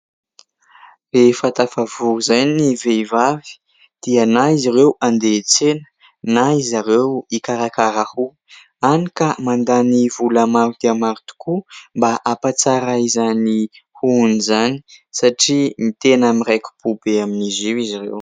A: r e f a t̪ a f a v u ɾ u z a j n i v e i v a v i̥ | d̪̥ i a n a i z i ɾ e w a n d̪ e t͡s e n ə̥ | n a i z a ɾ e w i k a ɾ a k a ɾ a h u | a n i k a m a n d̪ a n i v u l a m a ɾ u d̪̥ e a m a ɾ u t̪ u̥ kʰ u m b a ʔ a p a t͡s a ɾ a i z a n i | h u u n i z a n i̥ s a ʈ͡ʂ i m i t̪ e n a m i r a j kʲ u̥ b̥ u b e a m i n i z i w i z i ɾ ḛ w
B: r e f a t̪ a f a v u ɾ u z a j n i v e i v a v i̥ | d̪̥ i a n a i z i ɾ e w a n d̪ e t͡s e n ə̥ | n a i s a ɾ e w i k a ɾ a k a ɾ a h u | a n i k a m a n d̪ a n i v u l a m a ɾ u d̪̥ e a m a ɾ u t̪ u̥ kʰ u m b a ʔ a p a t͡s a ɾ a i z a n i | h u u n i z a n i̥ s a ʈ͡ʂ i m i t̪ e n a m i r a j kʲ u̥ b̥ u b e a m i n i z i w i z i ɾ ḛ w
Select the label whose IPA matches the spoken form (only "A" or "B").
A